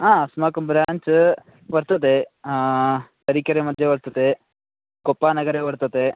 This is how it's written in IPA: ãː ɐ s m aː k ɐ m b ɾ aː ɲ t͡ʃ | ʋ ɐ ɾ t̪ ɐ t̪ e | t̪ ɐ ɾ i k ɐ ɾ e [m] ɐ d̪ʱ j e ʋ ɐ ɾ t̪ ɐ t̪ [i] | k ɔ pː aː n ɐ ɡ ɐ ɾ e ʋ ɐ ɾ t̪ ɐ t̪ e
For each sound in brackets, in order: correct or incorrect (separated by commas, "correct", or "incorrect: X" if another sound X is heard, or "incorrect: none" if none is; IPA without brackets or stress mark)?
correct, incorrect: e